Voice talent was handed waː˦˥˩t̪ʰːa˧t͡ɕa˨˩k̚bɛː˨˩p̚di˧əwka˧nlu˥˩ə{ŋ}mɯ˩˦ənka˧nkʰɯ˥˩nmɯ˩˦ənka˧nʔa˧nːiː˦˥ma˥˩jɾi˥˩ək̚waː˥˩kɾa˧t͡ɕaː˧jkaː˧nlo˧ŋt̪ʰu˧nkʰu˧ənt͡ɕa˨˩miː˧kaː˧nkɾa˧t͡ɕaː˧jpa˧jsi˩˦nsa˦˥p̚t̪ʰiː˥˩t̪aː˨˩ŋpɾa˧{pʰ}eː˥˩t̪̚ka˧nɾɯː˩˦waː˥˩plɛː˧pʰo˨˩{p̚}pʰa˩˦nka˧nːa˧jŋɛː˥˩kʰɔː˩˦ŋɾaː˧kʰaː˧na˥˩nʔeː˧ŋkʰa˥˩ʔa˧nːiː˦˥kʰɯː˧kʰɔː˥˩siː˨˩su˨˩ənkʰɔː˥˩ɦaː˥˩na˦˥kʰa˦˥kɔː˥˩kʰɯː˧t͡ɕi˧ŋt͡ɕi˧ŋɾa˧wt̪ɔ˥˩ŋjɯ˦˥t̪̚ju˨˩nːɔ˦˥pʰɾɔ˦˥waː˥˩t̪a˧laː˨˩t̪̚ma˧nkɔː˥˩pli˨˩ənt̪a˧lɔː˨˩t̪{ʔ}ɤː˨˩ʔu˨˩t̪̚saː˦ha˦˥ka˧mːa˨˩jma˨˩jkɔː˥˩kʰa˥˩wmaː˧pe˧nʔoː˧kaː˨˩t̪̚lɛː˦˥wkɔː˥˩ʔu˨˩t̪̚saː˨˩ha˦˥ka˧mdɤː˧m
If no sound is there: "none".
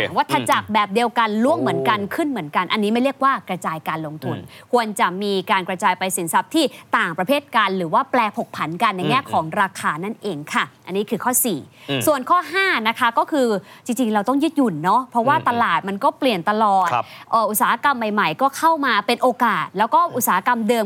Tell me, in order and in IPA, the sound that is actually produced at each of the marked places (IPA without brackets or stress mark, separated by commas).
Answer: ŋ, pʰ, k̚, ʔ